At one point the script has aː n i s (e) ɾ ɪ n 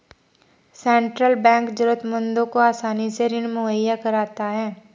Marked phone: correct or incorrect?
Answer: correct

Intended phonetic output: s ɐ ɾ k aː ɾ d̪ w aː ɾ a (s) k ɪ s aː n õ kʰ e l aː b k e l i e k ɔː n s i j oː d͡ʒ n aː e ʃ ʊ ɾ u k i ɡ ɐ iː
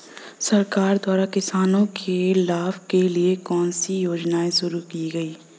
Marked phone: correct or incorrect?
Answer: incorrect: none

